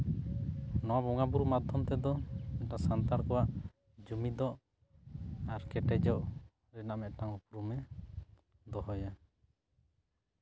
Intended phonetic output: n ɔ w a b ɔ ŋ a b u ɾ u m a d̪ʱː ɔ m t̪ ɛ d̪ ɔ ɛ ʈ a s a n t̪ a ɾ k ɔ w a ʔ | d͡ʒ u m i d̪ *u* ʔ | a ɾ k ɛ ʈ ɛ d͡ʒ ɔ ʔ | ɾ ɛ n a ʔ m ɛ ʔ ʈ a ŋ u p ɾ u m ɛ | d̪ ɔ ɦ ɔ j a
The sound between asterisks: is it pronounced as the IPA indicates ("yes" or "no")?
no